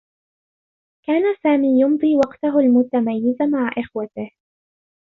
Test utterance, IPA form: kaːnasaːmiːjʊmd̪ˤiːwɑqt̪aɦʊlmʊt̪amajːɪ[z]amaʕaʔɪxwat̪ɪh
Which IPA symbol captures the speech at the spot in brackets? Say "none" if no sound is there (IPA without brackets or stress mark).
z